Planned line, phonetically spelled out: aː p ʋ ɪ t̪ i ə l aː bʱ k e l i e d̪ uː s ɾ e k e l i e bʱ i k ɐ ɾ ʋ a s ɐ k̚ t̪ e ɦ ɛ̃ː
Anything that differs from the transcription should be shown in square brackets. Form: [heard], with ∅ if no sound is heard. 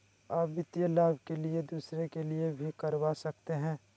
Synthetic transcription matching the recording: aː p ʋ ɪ t̪ [j] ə l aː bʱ k e l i e d̪ uː s ɾ e k e l i e bʱ i k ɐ ɾ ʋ a s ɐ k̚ t̪ e ɦ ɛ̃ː